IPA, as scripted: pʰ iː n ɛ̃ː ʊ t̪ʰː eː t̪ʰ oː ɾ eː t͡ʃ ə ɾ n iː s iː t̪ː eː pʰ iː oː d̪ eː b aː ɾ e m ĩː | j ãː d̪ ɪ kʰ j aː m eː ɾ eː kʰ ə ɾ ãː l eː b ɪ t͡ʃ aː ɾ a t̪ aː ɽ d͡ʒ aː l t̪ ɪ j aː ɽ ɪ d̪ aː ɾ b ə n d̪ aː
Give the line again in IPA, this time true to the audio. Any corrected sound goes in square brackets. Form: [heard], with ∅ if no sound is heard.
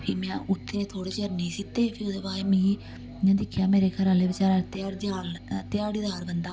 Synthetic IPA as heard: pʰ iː [m] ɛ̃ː ʊ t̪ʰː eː t̪ʰ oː [ɽ] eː t͡ʃ ə ɾ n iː s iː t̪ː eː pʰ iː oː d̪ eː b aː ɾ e m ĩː | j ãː d̪ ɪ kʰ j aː m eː ɾ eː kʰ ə ɾ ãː l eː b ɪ t͡ʃ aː ɾ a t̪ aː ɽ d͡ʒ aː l t̪ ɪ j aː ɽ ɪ d̪ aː ɾ b ə n d̪ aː